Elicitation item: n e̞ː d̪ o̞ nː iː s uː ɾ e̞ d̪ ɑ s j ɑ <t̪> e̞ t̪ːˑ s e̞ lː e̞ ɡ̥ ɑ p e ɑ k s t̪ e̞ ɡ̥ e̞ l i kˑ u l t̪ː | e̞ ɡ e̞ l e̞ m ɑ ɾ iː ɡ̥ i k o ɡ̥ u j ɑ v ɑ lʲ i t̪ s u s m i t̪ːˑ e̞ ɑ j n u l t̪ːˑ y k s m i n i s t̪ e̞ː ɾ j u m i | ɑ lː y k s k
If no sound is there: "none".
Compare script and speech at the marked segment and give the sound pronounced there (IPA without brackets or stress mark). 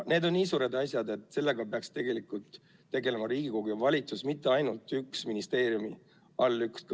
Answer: d̪